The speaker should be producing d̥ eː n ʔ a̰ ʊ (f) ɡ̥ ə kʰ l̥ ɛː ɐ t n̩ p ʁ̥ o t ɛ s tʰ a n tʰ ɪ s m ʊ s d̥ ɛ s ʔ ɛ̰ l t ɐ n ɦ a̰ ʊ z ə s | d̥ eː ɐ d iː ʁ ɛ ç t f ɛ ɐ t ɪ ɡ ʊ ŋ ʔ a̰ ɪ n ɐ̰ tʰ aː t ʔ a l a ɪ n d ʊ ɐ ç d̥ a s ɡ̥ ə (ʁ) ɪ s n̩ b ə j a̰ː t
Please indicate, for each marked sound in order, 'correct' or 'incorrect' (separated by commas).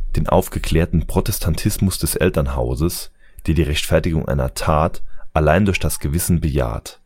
correct, incorrect